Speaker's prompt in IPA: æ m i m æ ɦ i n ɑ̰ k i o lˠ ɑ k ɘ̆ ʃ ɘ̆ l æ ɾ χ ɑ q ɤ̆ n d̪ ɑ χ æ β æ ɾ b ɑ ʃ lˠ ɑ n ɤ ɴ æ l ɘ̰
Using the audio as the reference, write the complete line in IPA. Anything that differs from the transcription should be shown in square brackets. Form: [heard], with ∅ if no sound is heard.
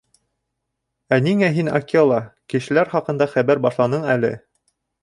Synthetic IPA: æ [n] i [ŋ] æ ɦ i n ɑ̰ k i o lˠ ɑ k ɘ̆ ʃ ɘ̆ l æ ɾ χ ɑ q ɤ̆ n d̪ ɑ χ æ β æ ɾ b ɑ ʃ lˠ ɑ n ɤ ɴ æ l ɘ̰